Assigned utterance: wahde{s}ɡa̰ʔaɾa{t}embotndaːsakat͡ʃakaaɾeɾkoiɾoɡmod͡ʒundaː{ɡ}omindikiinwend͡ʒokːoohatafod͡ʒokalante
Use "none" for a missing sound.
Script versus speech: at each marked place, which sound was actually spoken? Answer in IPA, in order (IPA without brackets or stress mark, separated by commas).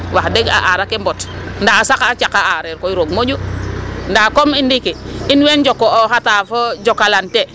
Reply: none, k, k